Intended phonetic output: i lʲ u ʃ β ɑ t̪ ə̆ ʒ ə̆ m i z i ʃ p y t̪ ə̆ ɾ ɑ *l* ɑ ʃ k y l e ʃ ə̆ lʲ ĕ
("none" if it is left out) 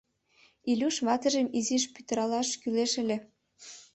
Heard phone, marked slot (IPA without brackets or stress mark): l